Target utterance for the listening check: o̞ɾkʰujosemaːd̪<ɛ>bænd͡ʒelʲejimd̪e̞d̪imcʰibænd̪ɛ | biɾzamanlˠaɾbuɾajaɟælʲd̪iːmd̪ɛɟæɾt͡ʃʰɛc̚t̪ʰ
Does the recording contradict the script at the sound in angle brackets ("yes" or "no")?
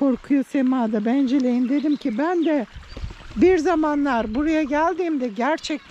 yes